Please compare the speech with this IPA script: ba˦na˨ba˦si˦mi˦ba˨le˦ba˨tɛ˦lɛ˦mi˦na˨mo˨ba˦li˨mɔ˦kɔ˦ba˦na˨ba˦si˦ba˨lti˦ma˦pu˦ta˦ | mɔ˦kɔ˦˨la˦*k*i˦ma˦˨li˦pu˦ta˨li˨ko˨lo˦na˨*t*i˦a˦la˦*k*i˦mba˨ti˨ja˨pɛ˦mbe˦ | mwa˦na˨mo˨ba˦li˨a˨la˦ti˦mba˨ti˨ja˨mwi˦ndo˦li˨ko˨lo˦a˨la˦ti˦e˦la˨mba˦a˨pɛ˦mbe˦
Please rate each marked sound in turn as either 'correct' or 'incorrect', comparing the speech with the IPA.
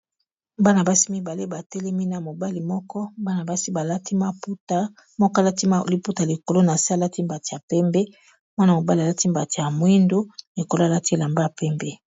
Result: incorrect: t, incorrect: s, incorrect: t

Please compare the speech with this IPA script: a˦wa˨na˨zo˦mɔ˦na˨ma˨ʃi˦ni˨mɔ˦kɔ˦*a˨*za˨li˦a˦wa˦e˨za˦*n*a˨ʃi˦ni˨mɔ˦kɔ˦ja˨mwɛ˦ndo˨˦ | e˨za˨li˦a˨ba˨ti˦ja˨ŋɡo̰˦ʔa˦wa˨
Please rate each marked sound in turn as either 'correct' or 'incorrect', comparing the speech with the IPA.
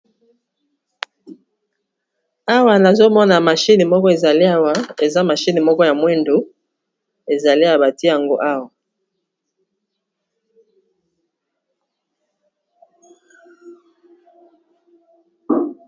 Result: incorrect: e˨, incorrect: m

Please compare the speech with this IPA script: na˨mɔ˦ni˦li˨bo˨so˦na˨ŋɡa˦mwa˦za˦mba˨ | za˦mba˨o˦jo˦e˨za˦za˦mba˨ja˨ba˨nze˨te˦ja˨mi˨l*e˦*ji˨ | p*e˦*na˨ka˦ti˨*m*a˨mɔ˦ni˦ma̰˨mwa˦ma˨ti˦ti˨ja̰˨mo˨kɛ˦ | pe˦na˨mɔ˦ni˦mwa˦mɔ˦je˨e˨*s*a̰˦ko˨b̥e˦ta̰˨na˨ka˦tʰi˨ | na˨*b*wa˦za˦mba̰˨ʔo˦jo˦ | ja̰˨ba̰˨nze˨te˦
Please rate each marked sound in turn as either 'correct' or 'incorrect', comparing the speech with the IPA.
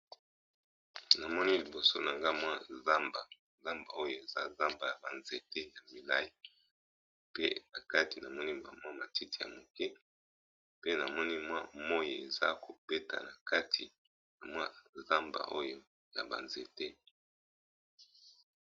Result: incorrect: a˦, correct, incorrect: n, incorrect: z, incorrect: m

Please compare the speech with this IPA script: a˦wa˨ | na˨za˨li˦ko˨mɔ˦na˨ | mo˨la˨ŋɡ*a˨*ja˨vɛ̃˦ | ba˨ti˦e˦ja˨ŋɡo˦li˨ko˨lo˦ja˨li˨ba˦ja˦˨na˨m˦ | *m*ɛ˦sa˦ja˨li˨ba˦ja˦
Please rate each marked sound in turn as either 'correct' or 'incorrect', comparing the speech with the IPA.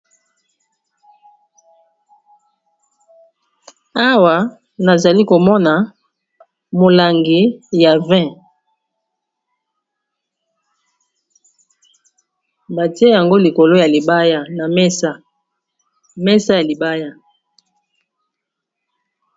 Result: incorrect: i˨, correct

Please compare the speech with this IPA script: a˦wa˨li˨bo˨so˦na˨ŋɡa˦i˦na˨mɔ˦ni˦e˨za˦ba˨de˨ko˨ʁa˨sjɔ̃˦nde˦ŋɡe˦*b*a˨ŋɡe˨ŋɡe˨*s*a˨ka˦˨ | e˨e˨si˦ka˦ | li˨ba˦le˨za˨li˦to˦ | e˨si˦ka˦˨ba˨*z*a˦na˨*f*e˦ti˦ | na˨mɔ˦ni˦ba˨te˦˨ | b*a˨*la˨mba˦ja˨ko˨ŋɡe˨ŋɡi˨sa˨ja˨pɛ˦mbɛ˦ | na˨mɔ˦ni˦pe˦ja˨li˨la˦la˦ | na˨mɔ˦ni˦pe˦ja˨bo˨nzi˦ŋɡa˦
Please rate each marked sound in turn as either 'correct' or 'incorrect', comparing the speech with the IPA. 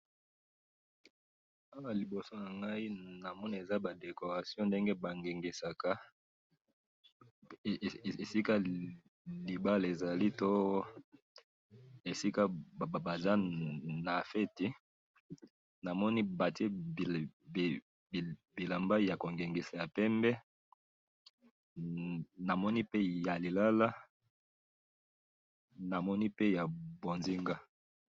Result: correct, correct, correct, correct, incorrect: i˨

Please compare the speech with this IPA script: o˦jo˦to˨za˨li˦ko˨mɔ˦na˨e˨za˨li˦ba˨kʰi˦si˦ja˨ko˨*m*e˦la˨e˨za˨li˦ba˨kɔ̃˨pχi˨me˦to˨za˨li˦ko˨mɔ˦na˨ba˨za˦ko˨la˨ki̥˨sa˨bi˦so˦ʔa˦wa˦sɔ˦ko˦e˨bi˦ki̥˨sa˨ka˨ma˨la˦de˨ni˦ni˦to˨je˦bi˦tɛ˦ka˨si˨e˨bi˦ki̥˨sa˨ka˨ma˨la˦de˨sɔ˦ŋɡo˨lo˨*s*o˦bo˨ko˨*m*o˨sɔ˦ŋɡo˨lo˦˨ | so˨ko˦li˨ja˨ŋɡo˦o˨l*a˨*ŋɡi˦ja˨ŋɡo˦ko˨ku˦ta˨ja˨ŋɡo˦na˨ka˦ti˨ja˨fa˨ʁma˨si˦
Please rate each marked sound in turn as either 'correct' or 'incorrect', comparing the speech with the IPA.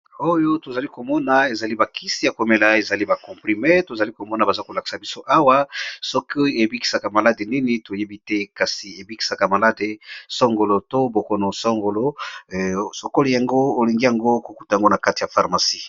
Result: correct, incorrect: t, incorrect: n, incorrect: i˨

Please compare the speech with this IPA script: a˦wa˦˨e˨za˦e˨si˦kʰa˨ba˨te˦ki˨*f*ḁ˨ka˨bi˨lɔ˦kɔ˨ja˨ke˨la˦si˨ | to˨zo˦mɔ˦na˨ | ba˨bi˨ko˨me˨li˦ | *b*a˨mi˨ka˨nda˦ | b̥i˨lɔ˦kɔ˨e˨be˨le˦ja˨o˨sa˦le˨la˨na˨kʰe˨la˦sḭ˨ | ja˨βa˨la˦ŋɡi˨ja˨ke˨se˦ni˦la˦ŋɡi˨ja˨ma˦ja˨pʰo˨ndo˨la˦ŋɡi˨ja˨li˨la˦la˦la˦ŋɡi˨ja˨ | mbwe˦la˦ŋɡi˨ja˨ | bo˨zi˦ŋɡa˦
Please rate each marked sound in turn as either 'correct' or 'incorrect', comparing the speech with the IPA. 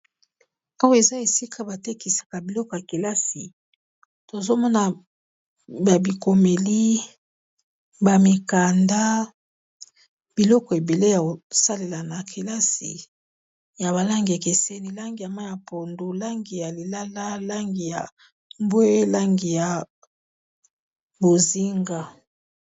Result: incorrect: s, correct

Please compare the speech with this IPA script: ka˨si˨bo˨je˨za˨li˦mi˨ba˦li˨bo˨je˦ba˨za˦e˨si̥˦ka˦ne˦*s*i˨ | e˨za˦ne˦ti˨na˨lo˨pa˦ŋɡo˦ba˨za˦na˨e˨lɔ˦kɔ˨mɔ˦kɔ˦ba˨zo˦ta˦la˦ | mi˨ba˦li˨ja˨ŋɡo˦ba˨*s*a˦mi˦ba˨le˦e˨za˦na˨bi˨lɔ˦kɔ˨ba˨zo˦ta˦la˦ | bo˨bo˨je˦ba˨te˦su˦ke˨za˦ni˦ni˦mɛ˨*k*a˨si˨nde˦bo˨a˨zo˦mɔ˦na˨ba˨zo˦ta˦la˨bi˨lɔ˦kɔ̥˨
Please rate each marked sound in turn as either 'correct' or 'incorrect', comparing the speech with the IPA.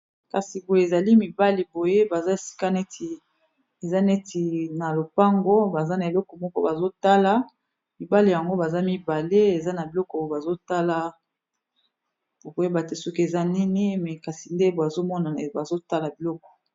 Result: incorrect: t, incorrect: z, correct

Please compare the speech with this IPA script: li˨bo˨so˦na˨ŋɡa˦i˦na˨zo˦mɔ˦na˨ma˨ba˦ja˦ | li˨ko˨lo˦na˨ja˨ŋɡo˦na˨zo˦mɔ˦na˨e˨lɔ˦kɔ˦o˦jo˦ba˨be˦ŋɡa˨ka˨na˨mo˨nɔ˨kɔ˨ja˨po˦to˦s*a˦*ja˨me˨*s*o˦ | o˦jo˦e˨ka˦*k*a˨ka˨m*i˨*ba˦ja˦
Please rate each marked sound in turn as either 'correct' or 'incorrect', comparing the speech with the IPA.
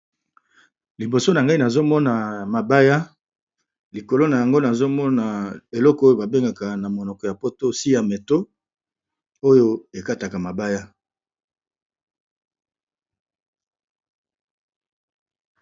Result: incorrect: i˦, incorrect: t, incorrect: t, incorrect: a˨

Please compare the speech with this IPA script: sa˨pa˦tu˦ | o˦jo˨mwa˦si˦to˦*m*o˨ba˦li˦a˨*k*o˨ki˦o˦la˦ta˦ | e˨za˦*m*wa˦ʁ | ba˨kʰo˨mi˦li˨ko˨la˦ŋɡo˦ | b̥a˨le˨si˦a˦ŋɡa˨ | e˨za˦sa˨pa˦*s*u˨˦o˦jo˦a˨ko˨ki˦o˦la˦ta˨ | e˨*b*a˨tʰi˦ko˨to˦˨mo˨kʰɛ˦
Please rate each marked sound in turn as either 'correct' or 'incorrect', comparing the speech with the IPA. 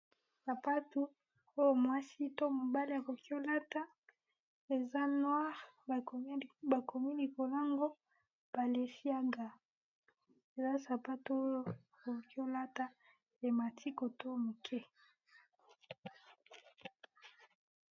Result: correct, correct, incorrect: n, incorrect: t, incorrect: m

